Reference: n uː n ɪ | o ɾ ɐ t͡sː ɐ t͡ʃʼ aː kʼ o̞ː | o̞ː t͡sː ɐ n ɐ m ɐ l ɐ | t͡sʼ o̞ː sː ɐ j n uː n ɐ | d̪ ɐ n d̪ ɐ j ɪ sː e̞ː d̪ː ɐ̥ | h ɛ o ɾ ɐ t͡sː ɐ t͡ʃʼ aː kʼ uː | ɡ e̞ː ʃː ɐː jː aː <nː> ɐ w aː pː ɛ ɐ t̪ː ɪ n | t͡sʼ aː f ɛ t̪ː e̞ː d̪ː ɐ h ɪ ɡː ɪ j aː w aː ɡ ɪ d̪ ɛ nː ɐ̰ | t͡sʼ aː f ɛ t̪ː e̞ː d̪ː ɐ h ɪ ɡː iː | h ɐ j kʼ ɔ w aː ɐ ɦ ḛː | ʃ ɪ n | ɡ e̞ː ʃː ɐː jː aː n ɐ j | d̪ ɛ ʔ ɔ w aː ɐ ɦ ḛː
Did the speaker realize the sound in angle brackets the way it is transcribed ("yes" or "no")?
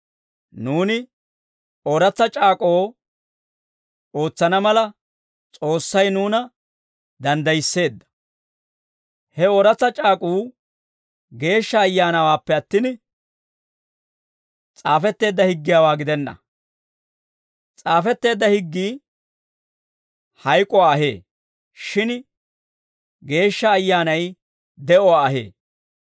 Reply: no